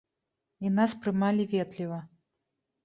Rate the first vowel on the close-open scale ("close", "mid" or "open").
close